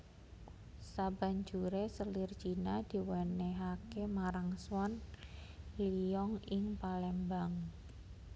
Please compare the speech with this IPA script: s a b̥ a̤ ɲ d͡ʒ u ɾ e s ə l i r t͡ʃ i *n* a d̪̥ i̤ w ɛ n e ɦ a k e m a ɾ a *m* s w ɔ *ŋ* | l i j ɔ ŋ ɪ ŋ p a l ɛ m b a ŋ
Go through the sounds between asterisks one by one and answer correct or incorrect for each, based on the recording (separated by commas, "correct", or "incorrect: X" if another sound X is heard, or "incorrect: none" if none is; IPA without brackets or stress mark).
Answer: correct, incorrect: ŋ, incorrect: n